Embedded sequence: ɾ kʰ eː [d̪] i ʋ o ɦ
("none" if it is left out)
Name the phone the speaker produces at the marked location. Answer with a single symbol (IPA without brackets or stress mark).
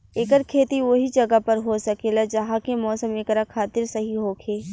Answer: t̪